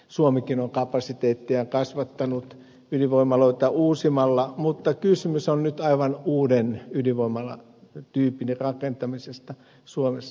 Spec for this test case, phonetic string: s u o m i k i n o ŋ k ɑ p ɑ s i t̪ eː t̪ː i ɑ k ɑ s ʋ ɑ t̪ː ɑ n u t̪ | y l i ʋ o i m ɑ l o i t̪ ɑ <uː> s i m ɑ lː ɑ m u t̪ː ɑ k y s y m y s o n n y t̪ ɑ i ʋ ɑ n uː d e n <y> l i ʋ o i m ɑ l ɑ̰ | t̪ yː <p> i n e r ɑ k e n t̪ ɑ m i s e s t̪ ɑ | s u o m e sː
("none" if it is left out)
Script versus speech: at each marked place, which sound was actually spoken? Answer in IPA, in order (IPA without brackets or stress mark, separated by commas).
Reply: uː, y, p